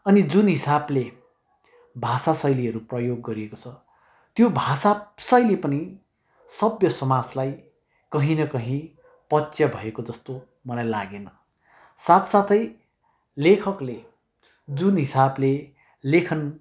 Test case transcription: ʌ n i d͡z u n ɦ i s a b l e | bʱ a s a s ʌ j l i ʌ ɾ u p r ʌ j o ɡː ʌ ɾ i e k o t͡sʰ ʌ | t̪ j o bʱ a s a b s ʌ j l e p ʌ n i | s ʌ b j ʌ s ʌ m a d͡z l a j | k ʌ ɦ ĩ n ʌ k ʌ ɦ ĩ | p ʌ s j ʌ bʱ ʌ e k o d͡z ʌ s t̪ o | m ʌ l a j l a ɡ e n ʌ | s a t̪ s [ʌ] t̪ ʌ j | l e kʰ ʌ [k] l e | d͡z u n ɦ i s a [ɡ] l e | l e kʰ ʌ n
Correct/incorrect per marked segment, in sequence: incorrect: a, correct, incorrect: b

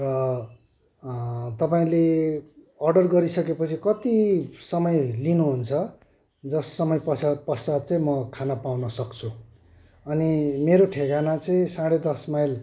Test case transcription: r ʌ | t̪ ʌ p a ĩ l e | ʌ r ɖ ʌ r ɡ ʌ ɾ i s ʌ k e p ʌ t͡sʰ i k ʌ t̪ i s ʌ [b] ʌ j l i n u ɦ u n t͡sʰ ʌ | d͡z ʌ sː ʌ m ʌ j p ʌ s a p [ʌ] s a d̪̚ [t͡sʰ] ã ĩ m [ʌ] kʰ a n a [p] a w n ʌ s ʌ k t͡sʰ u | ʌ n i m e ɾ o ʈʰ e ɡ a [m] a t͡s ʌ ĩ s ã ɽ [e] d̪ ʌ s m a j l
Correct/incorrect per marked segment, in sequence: incorrect: m, correct, incorrect: t͡s, correct, correct, incorrect: n, correct

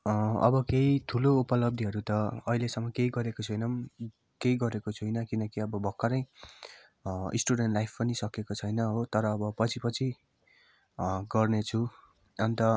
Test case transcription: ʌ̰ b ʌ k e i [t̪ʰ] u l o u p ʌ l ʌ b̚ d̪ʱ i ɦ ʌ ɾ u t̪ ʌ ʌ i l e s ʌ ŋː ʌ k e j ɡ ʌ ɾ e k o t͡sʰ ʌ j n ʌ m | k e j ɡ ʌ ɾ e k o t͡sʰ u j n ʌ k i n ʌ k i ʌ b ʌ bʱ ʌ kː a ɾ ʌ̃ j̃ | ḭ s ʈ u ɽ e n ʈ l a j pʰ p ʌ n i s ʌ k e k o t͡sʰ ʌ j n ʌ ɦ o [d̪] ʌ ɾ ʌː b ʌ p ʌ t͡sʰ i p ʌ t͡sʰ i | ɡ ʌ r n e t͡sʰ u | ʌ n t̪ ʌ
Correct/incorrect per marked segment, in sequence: correct, incorrect: t̪

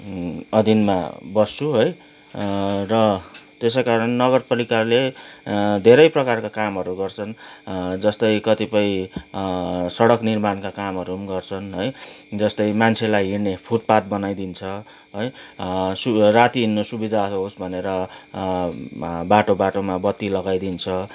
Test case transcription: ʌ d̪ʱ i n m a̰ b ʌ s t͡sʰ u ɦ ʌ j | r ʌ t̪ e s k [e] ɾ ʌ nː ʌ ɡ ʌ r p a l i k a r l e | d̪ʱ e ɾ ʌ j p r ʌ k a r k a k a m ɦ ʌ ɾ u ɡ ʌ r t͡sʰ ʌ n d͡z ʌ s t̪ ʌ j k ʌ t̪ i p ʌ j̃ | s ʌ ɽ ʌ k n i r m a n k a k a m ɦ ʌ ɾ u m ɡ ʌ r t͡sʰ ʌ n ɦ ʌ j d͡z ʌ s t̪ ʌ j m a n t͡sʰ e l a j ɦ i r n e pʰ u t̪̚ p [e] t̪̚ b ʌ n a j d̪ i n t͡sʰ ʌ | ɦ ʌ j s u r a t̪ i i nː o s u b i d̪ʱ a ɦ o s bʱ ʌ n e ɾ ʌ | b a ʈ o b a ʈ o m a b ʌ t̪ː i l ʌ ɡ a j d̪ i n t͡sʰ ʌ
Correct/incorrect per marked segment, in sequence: incorrect: a, incorrect: a

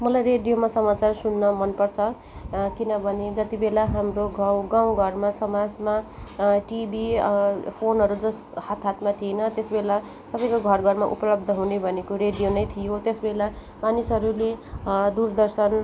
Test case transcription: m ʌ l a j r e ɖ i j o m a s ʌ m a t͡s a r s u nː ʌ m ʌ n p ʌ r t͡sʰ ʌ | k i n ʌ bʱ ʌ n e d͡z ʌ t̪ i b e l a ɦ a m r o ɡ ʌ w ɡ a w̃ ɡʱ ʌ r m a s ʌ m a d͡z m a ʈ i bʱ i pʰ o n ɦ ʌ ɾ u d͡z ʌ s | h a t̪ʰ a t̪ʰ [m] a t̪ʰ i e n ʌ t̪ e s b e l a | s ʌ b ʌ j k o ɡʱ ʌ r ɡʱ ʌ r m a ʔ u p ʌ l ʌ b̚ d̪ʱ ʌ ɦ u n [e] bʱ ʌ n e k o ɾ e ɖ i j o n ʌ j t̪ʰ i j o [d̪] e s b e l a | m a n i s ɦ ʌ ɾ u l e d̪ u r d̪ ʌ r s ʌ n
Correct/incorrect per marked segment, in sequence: correct, correct, incorrect: t̪

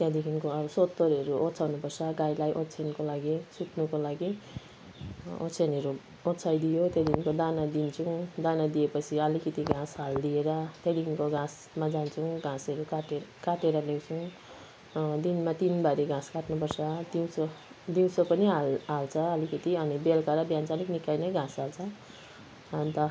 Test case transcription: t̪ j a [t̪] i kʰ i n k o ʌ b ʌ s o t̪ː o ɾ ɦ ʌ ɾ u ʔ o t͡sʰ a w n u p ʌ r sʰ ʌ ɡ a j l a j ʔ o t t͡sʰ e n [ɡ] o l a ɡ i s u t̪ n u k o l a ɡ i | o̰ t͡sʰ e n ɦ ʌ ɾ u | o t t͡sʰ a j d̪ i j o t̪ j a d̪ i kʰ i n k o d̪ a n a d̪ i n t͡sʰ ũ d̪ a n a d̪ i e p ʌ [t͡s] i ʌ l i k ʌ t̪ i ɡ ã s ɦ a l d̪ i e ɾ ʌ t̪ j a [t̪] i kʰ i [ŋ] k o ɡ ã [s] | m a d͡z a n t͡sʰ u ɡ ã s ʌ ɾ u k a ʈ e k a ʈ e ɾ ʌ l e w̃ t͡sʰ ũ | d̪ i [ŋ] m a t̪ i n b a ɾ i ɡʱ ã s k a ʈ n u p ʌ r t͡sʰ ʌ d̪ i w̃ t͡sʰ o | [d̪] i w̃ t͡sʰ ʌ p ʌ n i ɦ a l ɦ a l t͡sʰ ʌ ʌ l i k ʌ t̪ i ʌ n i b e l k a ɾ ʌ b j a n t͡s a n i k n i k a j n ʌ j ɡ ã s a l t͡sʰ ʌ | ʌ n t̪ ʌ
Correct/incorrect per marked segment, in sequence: incorrect: d̪, incorrect: k, incorrect: t͡sʰ, incorrect: d̪, incorrect: n, correct, incorrect: n, correct

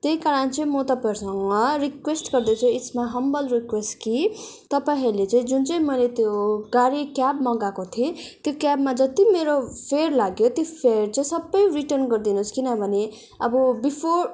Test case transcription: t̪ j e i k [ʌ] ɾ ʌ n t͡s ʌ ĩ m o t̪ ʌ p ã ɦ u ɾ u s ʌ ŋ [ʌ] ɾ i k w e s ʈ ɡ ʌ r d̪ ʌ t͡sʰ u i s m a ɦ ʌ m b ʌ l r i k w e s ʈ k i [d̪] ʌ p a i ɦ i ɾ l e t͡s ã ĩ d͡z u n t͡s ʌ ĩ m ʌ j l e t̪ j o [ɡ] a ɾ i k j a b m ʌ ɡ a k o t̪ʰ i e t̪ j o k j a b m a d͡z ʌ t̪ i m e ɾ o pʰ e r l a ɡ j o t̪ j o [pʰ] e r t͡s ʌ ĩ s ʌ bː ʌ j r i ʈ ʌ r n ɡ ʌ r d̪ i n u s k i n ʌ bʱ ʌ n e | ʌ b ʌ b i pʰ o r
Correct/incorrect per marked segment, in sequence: incorrect: a, correct, incorrect: t̪, correct, correct

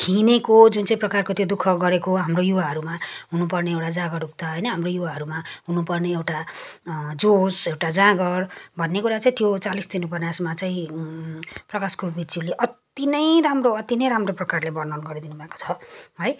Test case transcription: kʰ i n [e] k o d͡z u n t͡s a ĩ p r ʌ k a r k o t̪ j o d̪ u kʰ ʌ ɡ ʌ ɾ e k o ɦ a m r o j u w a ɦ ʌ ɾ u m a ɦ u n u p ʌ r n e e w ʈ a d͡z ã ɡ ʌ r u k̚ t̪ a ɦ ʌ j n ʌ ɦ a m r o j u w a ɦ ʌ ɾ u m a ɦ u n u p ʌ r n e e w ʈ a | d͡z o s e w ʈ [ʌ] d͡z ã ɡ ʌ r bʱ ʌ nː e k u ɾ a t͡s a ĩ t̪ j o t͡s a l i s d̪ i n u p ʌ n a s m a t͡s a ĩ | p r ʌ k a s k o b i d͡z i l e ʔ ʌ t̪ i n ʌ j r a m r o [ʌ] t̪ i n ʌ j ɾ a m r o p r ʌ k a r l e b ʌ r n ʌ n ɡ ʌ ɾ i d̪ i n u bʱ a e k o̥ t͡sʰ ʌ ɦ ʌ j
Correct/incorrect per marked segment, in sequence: correct, incorrect: a, correct

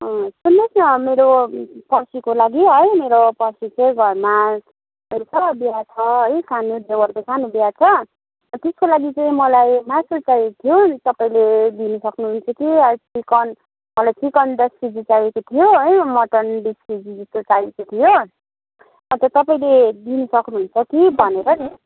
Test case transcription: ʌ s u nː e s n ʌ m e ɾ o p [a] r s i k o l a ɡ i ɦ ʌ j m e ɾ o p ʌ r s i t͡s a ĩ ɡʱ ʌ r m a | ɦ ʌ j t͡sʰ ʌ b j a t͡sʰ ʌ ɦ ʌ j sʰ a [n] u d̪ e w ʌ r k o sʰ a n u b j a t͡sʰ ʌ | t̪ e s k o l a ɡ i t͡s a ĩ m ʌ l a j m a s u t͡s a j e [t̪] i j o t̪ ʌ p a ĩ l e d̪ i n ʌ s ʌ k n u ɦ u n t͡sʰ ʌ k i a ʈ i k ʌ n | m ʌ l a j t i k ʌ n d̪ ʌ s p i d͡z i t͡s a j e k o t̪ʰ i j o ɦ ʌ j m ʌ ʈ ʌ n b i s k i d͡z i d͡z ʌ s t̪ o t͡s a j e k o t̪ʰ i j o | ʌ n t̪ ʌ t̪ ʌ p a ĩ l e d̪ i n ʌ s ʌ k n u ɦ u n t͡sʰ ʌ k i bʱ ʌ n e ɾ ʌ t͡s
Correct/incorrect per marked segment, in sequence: incorrect: ʌ, correct, incorrect: t̪ʰ

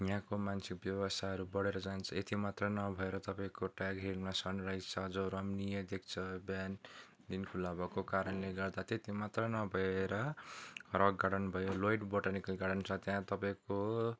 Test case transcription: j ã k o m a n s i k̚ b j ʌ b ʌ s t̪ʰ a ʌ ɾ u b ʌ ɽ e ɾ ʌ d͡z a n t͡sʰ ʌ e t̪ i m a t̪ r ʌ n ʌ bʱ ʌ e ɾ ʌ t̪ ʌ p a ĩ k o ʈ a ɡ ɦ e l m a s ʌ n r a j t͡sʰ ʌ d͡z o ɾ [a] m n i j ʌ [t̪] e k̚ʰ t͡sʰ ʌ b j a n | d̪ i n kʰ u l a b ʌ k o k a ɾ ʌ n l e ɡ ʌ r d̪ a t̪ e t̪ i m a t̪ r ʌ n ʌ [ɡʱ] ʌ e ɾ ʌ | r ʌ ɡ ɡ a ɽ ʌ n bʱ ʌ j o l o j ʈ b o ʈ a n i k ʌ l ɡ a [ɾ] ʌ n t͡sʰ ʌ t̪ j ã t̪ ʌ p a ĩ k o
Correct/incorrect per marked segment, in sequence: incorrect: ʌ, incorrect: d̪, incorrect: bʱ, incorrect: ɽ

